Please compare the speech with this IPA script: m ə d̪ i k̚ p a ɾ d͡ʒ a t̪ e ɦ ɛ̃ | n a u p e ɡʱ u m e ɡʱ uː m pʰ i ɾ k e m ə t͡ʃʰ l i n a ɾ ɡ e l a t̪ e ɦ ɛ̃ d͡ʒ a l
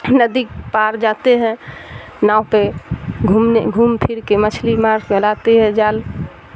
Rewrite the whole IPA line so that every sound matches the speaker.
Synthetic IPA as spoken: n ə d̪ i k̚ p a ɾ d͡ʒ a t̪ e ɦ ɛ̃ | n a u p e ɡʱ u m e ɡʱ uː m pʰ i ɾ k e m ə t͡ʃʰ l i m a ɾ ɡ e l a t̪ e ɦ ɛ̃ d͡ʒ a l

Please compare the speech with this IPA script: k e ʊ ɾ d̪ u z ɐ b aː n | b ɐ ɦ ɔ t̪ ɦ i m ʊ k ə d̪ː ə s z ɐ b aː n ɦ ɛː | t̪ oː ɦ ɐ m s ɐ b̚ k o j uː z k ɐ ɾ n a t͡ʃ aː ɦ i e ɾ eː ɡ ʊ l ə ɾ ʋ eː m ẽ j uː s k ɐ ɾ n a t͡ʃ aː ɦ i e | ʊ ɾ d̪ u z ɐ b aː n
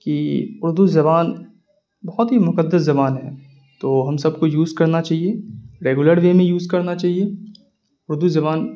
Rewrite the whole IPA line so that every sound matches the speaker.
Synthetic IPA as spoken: k i ʊ ɾ d̪ u z ɐ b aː n | b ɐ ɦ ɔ t̪ ɦ i m ʊ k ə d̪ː ə s z ɐ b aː n ɦ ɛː | t̪ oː ɦ ɐ m s ɐ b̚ k o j uː z k ɐ ɾ n a t͡ʃ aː ɦ i e ɾ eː ɡ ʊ l ə ɾ ʋ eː m ẽ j uː z k ɐ ɾ n a t͡ʃ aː ɦ i e | ʊ ɾ d̪ u z ɐ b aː n

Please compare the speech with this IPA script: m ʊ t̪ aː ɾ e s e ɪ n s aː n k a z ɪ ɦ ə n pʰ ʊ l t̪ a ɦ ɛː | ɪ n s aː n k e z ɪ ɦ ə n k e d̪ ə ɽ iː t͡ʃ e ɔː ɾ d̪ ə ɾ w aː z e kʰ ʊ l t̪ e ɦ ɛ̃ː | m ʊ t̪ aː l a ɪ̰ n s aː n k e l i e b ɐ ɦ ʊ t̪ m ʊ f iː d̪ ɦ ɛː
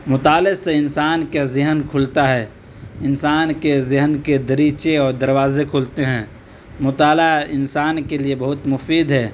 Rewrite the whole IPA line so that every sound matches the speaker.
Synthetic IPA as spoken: m ʊ t̪ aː l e s e ɪ n s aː n k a z ɪ ɦ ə n kʰ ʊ l t̪ a ɦ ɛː | ɪ n s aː n k e z ɪ ɦ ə n k e d̪ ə ɾ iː t͡ʃ e ɔː ɾ d̪ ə ɾ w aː z e kʰ ʊ l t̪ e ɦ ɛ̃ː | m ʊ t̪ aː l a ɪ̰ n s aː n k e l i e b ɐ ɦ ʊ t̪ m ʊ f iː d̪ ɦ ɛː

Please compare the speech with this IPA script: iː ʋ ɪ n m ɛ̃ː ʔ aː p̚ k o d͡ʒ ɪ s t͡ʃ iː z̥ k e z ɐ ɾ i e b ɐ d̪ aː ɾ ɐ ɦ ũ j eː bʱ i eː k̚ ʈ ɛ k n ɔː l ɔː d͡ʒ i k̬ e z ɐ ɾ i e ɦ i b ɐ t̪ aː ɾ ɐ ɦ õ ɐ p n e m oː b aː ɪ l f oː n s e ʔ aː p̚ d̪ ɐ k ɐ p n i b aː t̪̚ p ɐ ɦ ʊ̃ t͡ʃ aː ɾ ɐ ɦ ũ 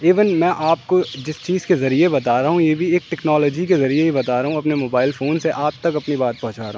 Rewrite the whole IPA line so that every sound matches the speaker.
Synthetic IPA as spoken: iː ʋ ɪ n m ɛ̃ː ʔ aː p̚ k o d͡ʒ ɪ s t͡ʃ iː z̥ k e z ɐ ɾ i e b ɐ t̪ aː ɾ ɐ ɦ ũ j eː bʱ i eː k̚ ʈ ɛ k n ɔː l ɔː d͡ʒ i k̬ e z ɐ ɾ i e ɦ i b ɐ t̪ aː ɾ ɐ ɦ ũ ɐ p n e m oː b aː ɪ l f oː n s e ʔ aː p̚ t̪ ɐ k ɐ p n i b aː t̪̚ p ɐ ɦ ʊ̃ t͡ʃ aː ɾ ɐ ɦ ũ

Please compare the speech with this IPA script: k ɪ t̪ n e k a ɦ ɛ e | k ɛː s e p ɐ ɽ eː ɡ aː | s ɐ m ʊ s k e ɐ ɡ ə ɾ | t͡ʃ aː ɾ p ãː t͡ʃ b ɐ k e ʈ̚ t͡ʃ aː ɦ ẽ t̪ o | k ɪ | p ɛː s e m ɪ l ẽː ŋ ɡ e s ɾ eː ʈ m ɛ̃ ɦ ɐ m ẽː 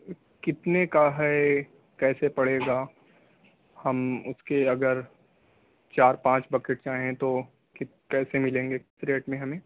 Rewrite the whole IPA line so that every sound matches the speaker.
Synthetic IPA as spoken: k ɪ t̪ n e k a ɦ ɛ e | k ɛː s e p ɐ ɽ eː ɡ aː | h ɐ m ʊ s k e ɐ ɡ ə ɾ | t͡ʃ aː ɾ p ãː t͡ʃ b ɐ k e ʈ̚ t͡ʃ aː ɦ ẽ t̪ o | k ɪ | k ɛː s e m ɪ l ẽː ŋ ɡ e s ɾ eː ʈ m ẽ ɦ ɐ m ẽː

